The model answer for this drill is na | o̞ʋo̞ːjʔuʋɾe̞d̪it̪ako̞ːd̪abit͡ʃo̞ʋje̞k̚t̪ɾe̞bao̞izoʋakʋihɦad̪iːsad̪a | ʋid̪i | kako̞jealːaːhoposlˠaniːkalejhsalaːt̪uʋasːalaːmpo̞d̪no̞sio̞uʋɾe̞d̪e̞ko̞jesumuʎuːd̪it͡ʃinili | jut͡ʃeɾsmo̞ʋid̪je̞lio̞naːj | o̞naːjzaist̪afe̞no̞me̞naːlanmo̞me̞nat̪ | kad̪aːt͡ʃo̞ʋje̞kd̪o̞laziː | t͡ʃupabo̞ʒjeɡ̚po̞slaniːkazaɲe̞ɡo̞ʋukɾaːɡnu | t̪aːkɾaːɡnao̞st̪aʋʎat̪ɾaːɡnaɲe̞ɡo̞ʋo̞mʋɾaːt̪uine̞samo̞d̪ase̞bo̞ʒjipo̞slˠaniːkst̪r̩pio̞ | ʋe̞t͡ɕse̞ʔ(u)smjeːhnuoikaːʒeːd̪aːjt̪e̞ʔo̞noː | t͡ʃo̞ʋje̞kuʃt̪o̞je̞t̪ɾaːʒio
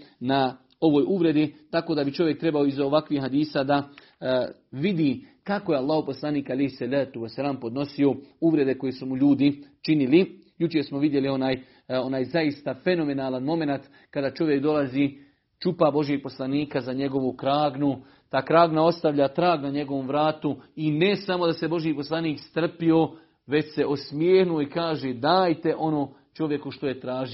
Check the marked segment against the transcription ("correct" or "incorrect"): incorrect